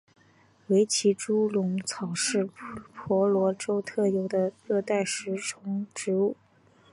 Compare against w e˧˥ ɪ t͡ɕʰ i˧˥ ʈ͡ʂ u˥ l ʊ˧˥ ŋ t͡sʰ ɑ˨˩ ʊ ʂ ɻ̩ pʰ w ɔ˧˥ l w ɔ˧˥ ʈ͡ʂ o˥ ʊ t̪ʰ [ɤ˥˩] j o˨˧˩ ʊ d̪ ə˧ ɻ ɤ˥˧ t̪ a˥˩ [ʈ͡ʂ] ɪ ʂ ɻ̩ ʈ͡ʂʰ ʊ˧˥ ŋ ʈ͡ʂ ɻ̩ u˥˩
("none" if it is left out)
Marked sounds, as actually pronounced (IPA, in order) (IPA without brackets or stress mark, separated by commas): ɤ˥˩, none